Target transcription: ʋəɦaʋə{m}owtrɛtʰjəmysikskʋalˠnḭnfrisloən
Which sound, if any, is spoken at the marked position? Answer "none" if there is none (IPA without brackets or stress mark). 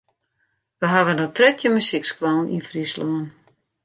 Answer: n